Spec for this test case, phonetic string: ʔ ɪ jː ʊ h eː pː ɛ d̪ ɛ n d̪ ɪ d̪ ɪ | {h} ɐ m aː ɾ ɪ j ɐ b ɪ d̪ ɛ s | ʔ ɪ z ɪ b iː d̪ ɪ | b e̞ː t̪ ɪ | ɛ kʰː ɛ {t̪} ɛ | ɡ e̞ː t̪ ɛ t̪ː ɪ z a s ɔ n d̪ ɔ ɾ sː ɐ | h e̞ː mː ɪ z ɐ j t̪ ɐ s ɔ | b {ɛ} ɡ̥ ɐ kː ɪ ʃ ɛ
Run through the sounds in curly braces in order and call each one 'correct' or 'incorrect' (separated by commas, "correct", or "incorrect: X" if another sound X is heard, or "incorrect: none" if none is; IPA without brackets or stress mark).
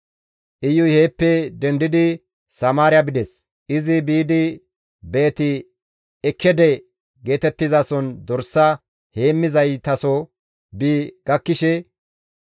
incorrect: s, incorrect: d̪, incorrect: i